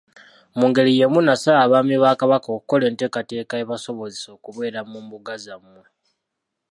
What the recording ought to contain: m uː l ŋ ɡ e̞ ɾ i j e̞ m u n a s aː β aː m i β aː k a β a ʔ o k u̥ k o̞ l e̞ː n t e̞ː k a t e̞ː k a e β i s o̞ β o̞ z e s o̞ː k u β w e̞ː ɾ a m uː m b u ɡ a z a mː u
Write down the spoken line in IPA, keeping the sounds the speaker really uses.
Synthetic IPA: m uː ŋ ɡ e̞ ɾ i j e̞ m u n a s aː β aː m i β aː k a β a k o k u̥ k o̞ l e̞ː n t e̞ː k a t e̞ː k a e β a s o̞ β o̞ z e s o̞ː k u β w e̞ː ɾ a m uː m b u ɡ a z a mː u